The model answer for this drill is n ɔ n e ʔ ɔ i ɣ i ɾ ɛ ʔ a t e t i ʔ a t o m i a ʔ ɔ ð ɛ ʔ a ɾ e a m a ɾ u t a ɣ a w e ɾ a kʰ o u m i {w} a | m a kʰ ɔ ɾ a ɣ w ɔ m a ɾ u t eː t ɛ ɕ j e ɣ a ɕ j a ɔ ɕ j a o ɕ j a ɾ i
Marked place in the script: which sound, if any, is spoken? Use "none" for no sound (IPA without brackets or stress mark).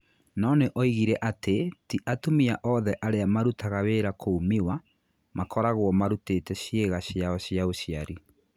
w